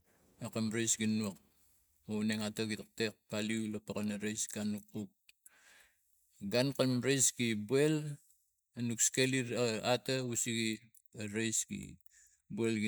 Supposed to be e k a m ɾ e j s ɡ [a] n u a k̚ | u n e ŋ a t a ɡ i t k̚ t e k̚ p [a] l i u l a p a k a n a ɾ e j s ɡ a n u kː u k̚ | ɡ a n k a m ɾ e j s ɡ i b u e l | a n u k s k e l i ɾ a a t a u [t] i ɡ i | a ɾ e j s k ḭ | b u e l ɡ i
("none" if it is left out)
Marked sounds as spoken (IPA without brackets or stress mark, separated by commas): i, a, s